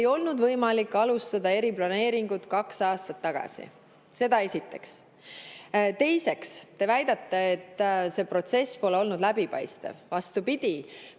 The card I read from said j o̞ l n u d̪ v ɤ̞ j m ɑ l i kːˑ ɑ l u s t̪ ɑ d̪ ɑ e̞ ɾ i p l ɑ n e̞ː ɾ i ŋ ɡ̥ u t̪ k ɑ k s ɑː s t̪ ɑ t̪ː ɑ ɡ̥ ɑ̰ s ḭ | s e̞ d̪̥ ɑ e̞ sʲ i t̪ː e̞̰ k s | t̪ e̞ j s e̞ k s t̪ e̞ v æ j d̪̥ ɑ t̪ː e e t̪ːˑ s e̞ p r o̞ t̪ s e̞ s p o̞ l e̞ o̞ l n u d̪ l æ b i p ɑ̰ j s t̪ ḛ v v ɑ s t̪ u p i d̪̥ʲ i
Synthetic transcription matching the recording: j o̞ l n u d̪ v ɤ̞ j m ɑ l i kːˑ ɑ l u s t̪ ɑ d̪ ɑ e̞ ɾ i p l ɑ n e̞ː ɾ i ŋ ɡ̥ u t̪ k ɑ k s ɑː s t̪ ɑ t̪ː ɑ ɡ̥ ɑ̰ s ḭ | s e̞ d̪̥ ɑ e̞ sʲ i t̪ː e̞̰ k s | t̪ e̞ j s e̞ k s t̪ e̞ v æ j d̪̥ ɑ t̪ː e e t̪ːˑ s e̞ p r o̞ t̪ s e̞ s p o̞ l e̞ o̞ l n u d̪ l æ b i p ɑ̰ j s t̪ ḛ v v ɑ s t̪ u p i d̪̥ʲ i